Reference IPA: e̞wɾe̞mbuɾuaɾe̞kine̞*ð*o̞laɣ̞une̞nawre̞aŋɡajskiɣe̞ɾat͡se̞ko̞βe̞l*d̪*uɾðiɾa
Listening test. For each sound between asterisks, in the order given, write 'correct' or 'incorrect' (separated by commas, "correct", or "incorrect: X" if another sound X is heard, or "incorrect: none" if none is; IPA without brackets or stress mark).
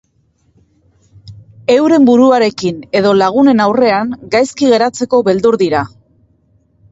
correct, correct